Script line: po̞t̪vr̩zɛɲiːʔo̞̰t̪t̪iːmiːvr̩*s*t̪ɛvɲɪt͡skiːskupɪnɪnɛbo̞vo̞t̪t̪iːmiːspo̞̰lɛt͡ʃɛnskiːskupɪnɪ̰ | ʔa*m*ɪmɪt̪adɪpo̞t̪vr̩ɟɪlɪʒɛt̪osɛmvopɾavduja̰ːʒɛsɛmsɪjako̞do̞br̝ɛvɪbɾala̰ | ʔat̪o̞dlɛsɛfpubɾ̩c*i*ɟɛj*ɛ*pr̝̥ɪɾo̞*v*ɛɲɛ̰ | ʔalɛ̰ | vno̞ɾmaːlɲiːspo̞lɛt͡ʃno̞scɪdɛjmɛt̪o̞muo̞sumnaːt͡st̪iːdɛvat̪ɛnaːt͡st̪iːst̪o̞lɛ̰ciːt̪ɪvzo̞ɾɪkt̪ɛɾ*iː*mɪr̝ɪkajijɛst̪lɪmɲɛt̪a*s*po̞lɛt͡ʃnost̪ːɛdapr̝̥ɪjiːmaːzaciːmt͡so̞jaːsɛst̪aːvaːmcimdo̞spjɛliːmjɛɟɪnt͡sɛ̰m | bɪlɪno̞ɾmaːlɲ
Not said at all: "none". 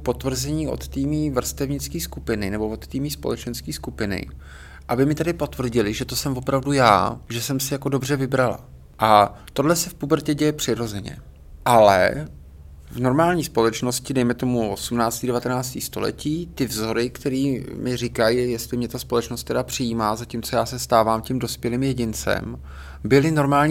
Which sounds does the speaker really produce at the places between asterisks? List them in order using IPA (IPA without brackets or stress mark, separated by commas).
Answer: s, b, ɛ, ɛ, z, iː, s